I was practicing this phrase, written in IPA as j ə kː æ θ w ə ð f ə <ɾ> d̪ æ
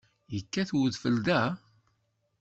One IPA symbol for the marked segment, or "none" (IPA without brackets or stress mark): l